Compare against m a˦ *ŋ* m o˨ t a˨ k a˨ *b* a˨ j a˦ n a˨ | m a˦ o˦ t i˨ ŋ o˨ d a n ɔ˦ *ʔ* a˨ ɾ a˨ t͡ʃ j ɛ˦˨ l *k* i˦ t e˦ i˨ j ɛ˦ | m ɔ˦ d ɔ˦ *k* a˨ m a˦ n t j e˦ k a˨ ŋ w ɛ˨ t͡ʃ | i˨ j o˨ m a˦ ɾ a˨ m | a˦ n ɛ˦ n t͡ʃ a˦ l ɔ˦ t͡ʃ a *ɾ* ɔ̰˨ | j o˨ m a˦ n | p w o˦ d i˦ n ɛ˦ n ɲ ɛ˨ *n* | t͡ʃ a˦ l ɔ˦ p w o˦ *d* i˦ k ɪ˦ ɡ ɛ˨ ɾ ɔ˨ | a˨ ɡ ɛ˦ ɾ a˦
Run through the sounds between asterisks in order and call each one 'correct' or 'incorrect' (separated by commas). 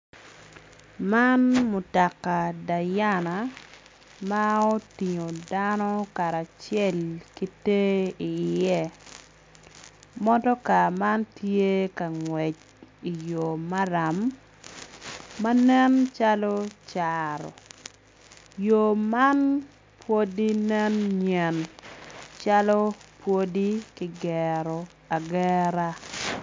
incorrect, incorrect, incorrect, correct, correct, correct, correct, correct